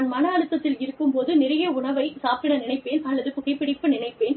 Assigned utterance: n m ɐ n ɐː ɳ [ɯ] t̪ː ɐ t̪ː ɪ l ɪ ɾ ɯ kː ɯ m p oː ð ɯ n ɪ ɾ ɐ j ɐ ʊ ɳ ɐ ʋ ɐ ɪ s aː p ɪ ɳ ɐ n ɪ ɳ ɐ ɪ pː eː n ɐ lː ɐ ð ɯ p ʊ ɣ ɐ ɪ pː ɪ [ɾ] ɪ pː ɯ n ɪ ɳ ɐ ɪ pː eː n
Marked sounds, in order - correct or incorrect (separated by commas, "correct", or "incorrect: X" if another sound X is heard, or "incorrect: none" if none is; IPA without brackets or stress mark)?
correct, incorrect: ɽ